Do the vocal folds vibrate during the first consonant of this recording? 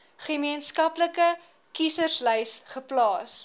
no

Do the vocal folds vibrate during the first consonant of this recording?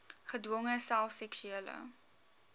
no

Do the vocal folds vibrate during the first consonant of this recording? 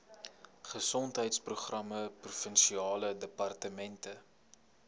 no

